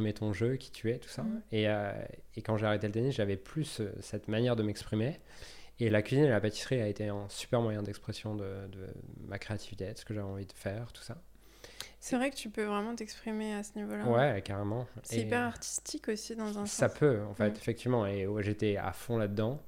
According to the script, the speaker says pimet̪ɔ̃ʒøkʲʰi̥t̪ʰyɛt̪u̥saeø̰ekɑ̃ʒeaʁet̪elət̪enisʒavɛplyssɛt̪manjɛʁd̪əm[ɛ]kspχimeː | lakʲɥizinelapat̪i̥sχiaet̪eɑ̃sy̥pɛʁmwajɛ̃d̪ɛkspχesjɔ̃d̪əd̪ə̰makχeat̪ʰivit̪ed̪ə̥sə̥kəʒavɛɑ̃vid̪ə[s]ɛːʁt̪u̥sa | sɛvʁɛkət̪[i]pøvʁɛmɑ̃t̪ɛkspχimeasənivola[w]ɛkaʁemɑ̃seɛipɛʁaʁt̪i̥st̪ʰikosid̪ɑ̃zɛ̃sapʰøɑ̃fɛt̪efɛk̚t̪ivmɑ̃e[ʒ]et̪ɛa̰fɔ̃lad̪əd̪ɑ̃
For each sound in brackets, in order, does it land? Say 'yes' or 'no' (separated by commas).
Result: yes, no, no, yes, yes